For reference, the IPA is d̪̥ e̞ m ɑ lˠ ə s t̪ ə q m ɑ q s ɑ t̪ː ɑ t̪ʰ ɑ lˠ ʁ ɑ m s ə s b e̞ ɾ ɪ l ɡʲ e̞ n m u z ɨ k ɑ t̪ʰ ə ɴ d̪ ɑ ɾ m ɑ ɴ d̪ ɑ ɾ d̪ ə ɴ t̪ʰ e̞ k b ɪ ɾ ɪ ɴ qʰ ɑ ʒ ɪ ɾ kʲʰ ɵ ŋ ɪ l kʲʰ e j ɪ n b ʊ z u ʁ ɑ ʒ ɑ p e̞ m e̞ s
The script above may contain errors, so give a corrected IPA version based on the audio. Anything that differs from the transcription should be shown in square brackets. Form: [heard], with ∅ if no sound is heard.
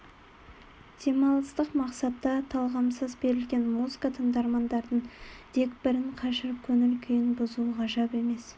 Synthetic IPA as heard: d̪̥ e̞ m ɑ lˠ ə s t̪ ə q m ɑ q s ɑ t̪ː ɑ t̪ʰ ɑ lˠ ʁ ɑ m s ə [z] b e̞ ɾ ɪ l ɡʲ e̞ n m u z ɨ k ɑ t̪ʰ ə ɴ d̪ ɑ ɾ m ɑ [n] d̪ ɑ ɾ d̪ ə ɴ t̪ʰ e̞ k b ɪ ɾ ɪ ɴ qʰ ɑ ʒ ɪ ɾ kʲʰ ɵ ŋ ɪ l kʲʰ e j ɪ n b ʊ z u ʁ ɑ ʒ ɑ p e̞ m e̞ s

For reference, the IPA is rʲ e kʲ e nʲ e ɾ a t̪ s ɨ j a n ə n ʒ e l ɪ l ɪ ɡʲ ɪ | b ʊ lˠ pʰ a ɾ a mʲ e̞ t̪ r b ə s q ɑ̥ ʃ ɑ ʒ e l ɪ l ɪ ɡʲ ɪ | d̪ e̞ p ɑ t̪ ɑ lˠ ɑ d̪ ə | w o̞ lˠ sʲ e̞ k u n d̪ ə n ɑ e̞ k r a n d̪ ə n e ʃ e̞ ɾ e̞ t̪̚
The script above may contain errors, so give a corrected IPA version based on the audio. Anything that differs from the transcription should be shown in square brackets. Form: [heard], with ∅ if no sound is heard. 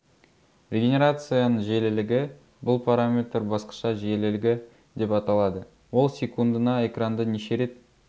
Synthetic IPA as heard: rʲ e [ɡʲ] e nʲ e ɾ a t̪ s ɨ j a n ə [ɴ] ʒ e l ɪ l ɪ ɡʲ ɪ | b ʊ lˠ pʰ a ɾ a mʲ e̞ t̪ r b [ɑ] s q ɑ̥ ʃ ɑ ʒ e l ɪ l ɪ ɡʲ ɪ | d̪ e̞ p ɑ t̪ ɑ lˠ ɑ d̪ ə | w o̞ lˠ sʲ e̞ k u n d̪ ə n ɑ e̞ k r a n d̪ ə n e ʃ e̞ ɾ e̞ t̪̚

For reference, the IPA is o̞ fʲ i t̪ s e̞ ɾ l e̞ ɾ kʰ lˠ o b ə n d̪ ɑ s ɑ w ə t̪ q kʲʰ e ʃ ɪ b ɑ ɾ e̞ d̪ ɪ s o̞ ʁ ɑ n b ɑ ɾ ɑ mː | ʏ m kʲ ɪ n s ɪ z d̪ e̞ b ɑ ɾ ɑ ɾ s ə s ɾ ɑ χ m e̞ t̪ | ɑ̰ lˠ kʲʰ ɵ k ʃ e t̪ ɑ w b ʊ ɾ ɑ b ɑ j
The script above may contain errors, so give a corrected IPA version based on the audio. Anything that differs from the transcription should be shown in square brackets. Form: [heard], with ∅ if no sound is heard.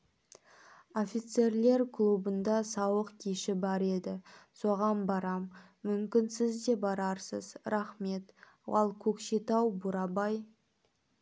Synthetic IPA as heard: o̞ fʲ i t̪ s e̞ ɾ l e̞ ɾ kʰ lˠ [u] b ə n d̪ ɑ s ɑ w ə [∅] q kʲʰ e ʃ ɪ b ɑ ɾ e̞ d̪ ɪ s o̞ ʁ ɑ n b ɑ ɾ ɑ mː | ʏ m kʲ ɪ n s ɪ z d̪ e̞ b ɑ ɾ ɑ ɾ s ə [z] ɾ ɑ χ m e̞ t̪ | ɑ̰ lˠ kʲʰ ɵ k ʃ e t̪ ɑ w b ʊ ɾ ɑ b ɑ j

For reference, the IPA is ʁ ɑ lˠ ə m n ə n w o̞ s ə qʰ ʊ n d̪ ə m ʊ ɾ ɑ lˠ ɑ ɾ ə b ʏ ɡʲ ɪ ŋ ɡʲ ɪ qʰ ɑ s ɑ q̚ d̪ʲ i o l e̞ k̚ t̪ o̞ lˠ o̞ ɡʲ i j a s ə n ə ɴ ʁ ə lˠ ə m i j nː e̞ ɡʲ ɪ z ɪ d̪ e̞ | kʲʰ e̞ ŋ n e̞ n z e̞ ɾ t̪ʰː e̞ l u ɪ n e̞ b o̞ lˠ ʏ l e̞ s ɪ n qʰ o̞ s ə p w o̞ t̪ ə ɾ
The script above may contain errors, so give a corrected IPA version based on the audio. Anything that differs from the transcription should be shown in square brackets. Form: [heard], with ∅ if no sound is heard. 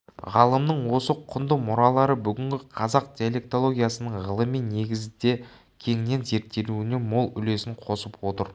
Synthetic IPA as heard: ʁ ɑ lˠ ə m n ə [ɴ] w o̞ s ə qʰ ʊ n d̪ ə m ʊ ɾ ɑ lˠ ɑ ɾ ə b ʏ ɡʲ ɪ ŋ ɡʲ ɪ qʰ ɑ [z] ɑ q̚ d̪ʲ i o l e̞ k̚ t̪ o̞ lˠ o̞ ɡʲ i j a s ə n ə ɴ ʁ ə lˠ ə m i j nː e̞ ɡʲ ɪ z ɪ d̪ e̞ | kʲʰ e̞ ŋ n e̞ n z e̞ ɾ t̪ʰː e̞ l u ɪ n e̞ [m] o̞ lˠ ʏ l e̞ s ɪ [ɴ] qʰ o̞ s ə p w o̞ t̪ ə ɾ

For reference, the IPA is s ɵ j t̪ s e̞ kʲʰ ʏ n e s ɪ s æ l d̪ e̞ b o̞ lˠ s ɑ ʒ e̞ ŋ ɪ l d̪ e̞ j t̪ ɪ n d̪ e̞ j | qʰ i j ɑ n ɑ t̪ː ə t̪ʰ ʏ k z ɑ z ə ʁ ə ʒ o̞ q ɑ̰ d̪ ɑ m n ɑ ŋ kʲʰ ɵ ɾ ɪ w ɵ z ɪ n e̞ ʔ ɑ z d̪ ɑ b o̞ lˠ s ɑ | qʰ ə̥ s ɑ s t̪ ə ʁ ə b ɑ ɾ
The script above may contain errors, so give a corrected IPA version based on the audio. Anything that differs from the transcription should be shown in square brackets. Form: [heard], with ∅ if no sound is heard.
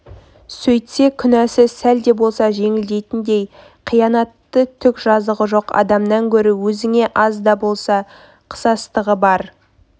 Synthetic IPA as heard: s ɵ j t̪ s e̞ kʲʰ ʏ n [æ] s ɪ s æ l d̪ e̞ b o̞ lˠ s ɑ ʒ e̞ ŋ ɪ l d̪ e̞ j t̪ ɪ n d̪ e̞ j | qʰ i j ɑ n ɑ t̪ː ə t̪ʰ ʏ k [ʒ] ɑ z ə ʁ ə ʒ o̞ q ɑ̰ d̪ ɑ m n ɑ ŋ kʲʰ ɵ ɾ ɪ w ɵ z ɪ [ŋ] e̞ ʔ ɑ z d̪ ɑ b o̞ lˠ s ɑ | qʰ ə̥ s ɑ s t̪ ə ʁ ə b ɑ ɾ

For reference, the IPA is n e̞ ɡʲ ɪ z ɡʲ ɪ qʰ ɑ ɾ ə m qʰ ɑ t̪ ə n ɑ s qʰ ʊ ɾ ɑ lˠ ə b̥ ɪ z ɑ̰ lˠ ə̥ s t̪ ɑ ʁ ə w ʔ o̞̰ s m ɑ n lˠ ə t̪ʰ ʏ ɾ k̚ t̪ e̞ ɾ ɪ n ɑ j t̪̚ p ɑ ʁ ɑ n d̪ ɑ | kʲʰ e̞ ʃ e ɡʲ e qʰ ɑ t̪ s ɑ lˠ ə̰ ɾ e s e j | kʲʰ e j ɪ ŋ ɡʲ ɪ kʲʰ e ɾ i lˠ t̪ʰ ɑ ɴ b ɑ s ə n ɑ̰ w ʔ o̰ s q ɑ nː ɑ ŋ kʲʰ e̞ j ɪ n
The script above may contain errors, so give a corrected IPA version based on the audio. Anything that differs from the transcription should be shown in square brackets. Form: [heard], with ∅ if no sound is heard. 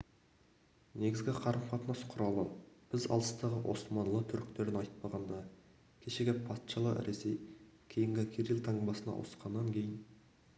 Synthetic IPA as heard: n e̞ ɡʲ ɪ z ɡʲ ɪ qʰ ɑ ɾ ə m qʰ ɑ t̪ ə n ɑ s qʰ ʊ ɾ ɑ lˠ ə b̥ ɪ z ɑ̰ lˠ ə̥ s t̪ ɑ ʁ ə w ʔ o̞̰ s m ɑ n lˠ ə t̪ʰ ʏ ɾ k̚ t̪ e̞ ɾ ɪ n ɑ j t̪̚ p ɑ ʁ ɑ n d̪ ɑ | kʲʰ e̞ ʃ e ɡʲ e [pʰ] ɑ t̪ [ʃ] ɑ lˠ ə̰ ɾ e s e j | kʲʰ e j ɪ ŋ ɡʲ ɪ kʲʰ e ɾ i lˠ t̪ʰ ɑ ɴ b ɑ s ə n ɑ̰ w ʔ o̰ s q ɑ nː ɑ ŋ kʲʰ e̞ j ɪ n

